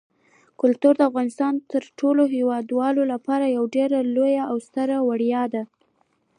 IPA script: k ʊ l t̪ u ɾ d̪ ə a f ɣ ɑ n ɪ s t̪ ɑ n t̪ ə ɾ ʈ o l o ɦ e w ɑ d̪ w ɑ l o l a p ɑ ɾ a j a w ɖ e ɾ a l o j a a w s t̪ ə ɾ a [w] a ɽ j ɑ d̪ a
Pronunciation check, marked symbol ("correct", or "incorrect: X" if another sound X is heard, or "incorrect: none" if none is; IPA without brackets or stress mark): correct